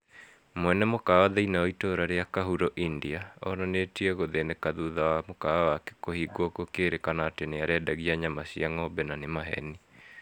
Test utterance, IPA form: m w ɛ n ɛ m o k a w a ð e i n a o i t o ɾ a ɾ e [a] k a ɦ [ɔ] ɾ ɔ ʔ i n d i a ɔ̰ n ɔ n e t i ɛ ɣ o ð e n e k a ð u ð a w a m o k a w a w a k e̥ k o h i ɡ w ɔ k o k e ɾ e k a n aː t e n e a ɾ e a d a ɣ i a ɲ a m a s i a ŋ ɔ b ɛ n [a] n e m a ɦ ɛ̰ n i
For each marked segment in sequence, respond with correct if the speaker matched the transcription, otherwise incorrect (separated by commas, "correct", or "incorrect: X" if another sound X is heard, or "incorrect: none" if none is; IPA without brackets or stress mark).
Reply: correct, incorrect: u, correct